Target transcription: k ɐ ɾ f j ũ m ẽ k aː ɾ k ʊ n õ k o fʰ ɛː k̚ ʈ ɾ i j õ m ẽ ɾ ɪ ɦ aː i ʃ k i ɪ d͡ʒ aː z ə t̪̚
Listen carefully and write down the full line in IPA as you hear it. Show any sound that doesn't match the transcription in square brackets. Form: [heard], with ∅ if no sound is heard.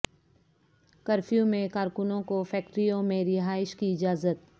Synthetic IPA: k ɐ ɾ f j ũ m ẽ k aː ɾ k ʊ n õ k o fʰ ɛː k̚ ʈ ɾ i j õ m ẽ ɾ ɪ ɦ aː [ɪ] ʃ k i ɪ d͡ʒ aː z ə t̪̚